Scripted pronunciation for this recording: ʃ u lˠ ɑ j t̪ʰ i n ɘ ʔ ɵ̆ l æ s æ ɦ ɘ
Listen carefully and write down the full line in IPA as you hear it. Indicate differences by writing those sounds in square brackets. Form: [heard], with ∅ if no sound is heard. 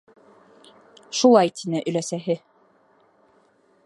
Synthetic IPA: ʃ u lˠ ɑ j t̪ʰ i n ɘ ʔ ɵ̆ l æ s æ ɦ ɘ